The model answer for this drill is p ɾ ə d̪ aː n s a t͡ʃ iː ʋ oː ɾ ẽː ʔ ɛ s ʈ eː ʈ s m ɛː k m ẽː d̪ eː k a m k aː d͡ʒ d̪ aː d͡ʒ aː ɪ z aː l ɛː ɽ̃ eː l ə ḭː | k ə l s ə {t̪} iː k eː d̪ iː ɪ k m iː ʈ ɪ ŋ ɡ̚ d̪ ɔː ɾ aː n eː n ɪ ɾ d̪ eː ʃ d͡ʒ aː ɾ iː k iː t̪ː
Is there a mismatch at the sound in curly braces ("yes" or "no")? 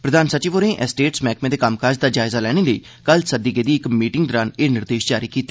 yes